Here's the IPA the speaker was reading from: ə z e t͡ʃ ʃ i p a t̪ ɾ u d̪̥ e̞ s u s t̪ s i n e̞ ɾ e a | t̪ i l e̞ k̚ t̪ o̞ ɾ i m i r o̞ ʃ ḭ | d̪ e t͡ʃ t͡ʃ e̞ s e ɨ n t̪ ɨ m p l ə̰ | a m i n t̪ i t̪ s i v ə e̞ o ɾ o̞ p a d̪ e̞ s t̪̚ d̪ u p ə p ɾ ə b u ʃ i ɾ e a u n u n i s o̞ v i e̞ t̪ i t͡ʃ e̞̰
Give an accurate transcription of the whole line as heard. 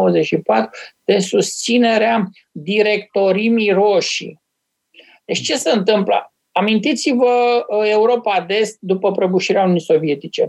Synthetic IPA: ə z e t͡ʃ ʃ i p a t̪ ɾ u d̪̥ e̞ s u s t̪ s i n e̞ ɾ e a | d̪ i ɾ e̞ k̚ t̪ o̞ ɾ i m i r o̞ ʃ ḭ | d̪ e t͡ʃ t͡ʃ e̞ s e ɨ n t̪ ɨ m p l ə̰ | a m i n t̪ i t̪ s i v ə e̞ u ɾ o̞ p a d̪ e̞ s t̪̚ d̪ u p ə p ɾ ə b u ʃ i ɾ e a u n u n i s o̞ v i e̞ t̪ i t͡ʃ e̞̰